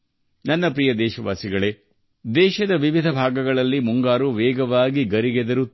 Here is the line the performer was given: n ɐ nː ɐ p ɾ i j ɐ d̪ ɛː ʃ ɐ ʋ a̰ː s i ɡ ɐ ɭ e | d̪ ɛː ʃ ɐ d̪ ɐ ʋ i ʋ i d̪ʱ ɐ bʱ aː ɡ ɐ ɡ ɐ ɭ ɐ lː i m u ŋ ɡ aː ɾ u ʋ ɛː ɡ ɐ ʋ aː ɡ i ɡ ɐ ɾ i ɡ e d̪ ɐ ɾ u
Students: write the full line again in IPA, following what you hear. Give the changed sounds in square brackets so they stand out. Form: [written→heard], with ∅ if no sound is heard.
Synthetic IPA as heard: n ɐ nː ɐ p ɾ i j ɐ d̪ ɛː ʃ ɐ ʋ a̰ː s i ɡ ɐ ɭ e | d̪ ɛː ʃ ɐ d̪ ɐ ʋ i ʋ i d̪ʱ ɐ bʱ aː ɡ ɐ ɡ ɐ ɭ ɐ lː i m u ŋ ɡ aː ɾ u ʋ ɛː ɡ ɐ ʋ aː ɡ i ɡ ɐ ɾ i ɡ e d̪ ɐ ɾ u